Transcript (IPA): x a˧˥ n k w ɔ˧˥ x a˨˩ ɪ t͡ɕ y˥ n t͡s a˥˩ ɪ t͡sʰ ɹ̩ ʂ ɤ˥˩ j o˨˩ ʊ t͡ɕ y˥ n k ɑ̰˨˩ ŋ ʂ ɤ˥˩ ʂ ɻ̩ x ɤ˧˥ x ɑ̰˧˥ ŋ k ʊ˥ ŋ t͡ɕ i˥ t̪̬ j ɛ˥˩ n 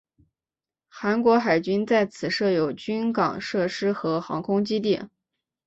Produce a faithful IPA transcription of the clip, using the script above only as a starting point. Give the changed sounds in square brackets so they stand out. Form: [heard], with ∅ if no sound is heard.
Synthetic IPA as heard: x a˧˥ n k w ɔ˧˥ x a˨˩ ɪ t͡ɕ y˥ n t͡s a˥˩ ɪ t͡sʰ ɹ̩ ʂ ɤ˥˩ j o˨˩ ʊ t͡ɕ y˥ n k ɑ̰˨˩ ŋ ʂ ɤ˥˩ ʂ ɻ̩ x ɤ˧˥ x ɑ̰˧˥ ŋ [kʰ] ʊ˥ ŋ t͡ɕ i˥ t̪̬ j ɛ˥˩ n